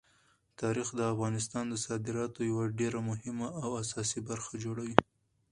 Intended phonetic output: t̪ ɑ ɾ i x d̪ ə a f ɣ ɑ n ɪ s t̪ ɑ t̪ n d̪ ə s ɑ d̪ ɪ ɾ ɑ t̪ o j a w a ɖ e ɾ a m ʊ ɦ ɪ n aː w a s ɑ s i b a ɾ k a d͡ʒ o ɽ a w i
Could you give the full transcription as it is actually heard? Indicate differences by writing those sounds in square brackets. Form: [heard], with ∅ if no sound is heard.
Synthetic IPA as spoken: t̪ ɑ ɾ i x d̪ ə a f ɣ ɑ n ɪ s t̪ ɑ [∅] n d̪ ə s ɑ d̪ ɪ ɾ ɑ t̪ o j a w a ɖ e ɾ a m ʊ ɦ ɪ [m] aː w a s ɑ s i b a ɾ [x] a d͡ʒ o ɽ a w i

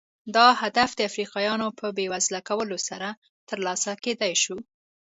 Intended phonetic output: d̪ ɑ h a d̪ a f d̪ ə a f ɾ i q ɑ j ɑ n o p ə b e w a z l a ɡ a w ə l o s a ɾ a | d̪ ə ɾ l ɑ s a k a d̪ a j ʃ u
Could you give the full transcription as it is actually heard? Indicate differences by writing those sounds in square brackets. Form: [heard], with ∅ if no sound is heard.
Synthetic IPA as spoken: d̪ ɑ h a d̪ a f d̪ ə a f ɾ i q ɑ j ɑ n o p ə b e w a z l a [k] a w ə l o s a ɾ a | [t̪] ə ɾ l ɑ s a k [e] d̪ a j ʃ u

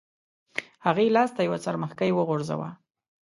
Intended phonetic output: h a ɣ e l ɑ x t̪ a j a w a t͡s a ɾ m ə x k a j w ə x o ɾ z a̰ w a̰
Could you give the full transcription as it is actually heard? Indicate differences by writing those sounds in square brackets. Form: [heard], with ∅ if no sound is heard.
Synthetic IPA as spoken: h a ɣ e l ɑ [s] t̪ a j a w a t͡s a ɾ m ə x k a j w ə [ɣ] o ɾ z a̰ w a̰

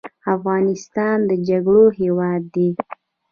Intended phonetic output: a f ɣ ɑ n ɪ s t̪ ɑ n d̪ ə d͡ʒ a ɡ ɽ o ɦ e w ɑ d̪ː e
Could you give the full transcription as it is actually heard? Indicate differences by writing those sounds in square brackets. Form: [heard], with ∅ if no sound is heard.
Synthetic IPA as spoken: a f ɣ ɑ n ɪ s t̪ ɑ n d̪ ə d͡ʒ a ɡ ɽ o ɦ e w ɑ d̪ː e

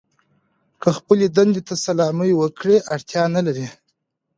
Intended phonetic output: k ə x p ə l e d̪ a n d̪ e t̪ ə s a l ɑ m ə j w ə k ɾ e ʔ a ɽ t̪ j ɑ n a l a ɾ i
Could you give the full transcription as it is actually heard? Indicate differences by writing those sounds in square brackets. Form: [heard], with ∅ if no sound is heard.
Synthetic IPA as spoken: k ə x p ə l e d̪ a n d̪ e t̪ [a] s a l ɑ m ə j w ə k [ɽ] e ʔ a ɽ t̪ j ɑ n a l a ɾ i

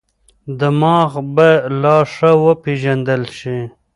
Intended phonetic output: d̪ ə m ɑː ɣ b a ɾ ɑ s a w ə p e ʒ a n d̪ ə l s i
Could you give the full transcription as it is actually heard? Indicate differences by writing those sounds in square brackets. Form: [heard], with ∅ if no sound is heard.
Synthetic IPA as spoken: d̪ ə m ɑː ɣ b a [l] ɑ [ʂ] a w ə p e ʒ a n d̪ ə l [ʃ] i

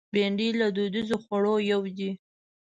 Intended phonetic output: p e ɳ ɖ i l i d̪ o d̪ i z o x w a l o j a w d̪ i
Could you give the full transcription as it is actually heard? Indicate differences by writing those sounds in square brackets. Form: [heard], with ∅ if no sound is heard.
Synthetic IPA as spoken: [b] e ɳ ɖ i l [a] d̪ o d̪ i z o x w a [ɽ] o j a w d̪ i

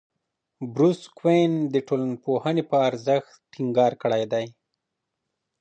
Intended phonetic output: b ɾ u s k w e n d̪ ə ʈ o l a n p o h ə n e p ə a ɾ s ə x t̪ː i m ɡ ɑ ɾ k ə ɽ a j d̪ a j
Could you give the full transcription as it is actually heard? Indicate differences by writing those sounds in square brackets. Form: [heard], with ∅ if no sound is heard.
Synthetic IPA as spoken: b ɾ u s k w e n d̪ ə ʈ o l a n p o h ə n e p ə a ɾ [z] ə x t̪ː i [ŋ] ɡ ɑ ɾ k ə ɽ a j d̪ a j

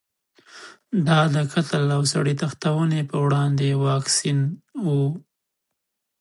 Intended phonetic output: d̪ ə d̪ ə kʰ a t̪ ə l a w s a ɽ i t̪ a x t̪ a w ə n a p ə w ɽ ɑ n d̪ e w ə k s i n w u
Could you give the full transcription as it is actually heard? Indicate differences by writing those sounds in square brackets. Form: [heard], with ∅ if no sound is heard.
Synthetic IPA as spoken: d̪ [ɑ] d̪ ə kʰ a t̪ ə l a w s a ɽ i t̪ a x t̪ a w ə n [e] p ə w ɽ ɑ n d̪ e w [ɑ] k s i n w u

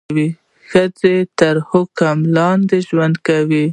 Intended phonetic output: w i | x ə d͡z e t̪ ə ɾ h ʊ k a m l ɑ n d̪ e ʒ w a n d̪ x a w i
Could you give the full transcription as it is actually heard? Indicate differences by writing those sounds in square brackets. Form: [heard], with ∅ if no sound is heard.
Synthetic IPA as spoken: w i | x ə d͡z e t̪ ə ɾ h ʊ k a m l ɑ n d̪ e ʒ w a n d̪ [k] a w i

